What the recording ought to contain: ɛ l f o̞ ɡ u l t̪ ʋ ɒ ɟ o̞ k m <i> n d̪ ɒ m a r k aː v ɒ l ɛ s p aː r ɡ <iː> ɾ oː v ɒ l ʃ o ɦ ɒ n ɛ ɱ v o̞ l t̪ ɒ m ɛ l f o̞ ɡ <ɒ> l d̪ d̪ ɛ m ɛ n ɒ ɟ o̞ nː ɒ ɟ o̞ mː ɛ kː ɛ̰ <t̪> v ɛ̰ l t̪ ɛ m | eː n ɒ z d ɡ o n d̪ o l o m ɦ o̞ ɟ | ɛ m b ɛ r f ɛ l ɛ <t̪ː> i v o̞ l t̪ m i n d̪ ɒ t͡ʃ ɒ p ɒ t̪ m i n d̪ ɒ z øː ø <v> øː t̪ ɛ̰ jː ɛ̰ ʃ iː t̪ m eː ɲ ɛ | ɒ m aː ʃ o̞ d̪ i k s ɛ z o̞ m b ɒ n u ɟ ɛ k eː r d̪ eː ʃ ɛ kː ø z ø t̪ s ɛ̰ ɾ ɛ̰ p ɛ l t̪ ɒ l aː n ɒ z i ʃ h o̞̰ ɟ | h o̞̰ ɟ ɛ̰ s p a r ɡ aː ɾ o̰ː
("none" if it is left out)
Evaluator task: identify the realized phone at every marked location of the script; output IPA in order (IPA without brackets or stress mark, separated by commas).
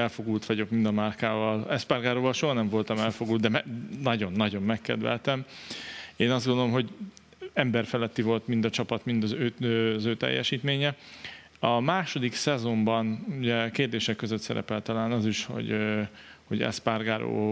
i, aː, u, d̪, t̪ː, z